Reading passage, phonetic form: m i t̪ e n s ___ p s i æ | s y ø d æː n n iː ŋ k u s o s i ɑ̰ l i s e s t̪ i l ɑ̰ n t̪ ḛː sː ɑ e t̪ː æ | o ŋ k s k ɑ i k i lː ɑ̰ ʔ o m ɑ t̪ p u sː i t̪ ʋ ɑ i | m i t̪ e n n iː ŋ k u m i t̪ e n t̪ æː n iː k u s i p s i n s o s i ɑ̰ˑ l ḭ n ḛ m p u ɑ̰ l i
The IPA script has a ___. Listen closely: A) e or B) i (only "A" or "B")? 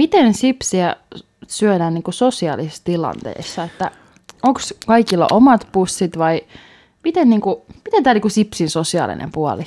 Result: B